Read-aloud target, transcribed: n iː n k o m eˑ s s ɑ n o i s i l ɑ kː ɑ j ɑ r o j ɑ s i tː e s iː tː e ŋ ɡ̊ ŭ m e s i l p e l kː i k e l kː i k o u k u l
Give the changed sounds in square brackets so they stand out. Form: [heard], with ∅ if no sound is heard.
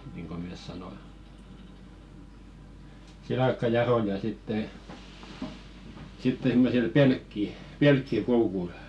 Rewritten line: n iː [ŋ] k o m eˑ s s ɑ n o i s i l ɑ kː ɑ j ɑ r o j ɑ s i tː e s [i] tː e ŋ ɡ̊ ŭ m e s i l p e l kː i [p] e l kː i k o u k u l